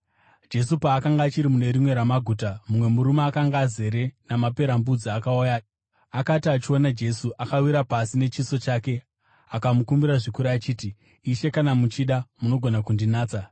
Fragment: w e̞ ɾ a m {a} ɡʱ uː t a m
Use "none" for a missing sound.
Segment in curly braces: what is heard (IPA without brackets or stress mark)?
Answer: a